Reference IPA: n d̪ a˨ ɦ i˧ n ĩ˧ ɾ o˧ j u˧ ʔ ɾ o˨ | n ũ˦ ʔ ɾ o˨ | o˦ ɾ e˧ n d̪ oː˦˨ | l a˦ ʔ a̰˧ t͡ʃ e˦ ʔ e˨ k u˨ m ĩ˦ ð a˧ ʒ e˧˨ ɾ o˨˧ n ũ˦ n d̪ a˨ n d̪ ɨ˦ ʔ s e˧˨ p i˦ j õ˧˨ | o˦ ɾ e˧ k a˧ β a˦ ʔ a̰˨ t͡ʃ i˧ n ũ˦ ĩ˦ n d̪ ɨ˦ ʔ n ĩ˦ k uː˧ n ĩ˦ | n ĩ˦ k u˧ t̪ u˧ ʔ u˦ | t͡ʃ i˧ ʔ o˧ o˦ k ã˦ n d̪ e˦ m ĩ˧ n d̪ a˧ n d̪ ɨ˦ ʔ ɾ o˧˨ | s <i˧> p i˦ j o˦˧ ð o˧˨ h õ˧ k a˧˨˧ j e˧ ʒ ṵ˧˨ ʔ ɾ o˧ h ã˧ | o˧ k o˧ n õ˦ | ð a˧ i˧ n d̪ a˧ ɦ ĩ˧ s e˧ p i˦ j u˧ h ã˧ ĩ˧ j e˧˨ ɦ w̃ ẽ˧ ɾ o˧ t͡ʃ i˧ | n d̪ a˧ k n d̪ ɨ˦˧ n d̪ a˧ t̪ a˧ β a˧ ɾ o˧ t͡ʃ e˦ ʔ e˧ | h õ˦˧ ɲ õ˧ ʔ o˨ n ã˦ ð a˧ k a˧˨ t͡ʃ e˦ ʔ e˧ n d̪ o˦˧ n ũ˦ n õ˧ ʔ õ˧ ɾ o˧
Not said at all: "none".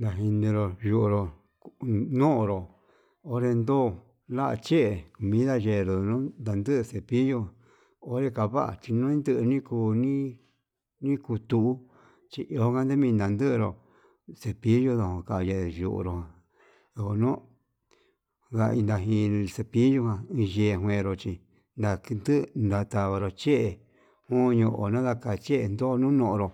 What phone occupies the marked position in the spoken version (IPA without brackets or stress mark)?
e˧